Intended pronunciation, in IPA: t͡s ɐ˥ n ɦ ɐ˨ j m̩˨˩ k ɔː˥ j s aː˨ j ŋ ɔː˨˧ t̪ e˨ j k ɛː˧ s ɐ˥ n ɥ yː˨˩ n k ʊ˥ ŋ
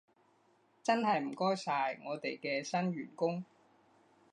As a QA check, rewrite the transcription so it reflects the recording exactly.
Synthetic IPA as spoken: t͡s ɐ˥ n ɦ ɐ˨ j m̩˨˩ k ɔː˥ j s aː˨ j ŋ ɔː˨˧ t̪ e˨ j k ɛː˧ s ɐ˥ n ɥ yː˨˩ n k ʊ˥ ŋ